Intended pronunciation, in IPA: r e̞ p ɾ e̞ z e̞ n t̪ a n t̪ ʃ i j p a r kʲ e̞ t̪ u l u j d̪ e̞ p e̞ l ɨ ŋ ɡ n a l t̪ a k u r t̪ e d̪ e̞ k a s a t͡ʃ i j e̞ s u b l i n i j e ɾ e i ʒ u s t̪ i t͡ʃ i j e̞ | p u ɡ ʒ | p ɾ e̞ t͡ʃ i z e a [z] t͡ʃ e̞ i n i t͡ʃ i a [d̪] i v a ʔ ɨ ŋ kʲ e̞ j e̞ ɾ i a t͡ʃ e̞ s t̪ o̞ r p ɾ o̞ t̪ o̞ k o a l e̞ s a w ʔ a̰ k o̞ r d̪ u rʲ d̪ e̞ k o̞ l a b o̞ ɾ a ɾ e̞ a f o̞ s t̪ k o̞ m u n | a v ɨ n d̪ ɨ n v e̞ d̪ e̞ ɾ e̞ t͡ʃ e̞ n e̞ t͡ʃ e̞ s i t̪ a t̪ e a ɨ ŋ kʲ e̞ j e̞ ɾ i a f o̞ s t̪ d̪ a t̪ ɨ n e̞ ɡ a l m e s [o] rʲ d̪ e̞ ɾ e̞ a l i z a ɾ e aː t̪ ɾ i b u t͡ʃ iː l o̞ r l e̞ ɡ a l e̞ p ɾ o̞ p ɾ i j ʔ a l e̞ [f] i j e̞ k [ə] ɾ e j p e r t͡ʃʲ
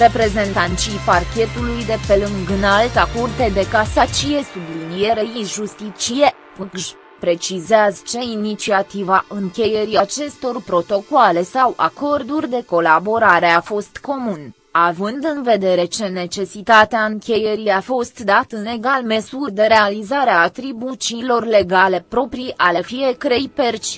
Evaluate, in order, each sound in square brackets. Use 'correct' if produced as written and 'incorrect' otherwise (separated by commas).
correct, incorrect, incorrect, correct, correct